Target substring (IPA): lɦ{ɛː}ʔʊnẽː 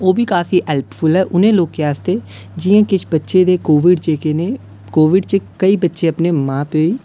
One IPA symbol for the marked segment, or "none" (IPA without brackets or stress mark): ɛː